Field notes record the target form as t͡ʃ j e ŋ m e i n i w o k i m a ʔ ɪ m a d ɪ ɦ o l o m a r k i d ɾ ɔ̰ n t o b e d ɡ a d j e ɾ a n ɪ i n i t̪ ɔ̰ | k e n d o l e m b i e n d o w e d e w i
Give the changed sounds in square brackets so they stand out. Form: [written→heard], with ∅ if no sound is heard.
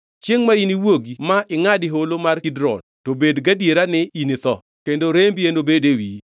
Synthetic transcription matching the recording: t͡ʃ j e ŋ m [e→a] i n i w o [k→ɡ] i m a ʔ ɪ [m→ŋ] a d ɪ ɦ o l o m a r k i d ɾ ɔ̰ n t o b e d ɡ a d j e ɾ a n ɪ i n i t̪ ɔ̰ | k e n d o [l→ɾ] e m b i e n d o [w→b] e d e w i